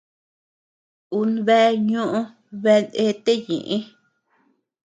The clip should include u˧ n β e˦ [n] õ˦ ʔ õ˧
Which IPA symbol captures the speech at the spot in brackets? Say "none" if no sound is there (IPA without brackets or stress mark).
ɲ